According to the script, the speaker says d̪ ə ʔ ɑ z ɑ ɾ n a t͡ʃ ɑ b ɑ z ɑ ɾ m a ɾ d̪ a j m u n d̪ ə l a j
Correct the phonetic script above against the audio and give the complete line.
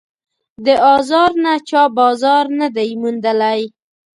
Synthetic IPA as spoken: d̪ ə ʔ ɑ z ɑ ɾ n a t͡ʃ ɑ b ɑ z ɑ ɾ n a d̪ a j m u n d̪ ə l a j